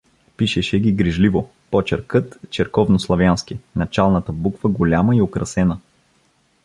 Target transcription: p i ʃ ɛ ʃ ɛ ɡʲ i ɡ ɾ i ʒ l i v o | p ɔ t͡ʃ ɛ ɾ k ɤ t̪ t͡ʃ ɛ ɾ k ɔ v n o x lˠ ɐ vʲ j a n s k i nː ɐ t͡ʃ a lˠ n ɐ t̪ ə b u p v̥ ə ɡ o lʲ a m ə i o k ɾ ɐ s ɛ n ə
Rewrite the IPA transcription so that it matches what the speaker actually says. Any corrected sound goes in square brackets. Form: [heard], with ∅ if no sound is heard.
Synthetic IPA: p i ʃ ɛ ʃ ɛ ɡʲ i ɡ ɾ i ʒ l i v o | p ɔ t͡ʃ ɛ ɾ k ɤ t̪ t͡ʃ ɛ ɾ k ɔ v n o [s] lˠ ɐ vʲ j a n s k i [n] ɐ t͡ʃ a lˠ n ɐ t̪ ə b u [k] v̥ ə ɡ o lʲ a m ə i o k ɾ ɐ s ɛ n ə